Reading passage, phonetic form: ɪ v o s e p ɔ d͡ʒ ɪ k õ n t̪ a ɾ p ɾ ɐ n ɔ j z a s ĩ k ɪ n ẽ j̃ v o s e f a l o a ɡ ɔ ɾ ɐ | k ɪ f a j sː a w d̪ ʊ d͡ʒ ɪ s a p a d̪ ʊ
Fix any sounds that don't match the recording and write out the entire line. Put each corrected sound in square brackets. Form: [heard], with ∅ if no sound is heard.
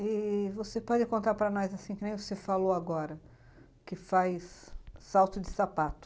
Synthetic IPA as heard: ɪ v o s e p ɔ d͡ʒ ɪ k õ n t̪ a ɾ p ɾ ɐ n ɔ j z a s ĩ k ɪ n ẽ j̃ v o s e f a l o a ɡ ɔ ɾ ɐ | k ɪ f a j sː a w [t̪] ʊ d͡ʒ ɪ s a p a [t̪] ʊ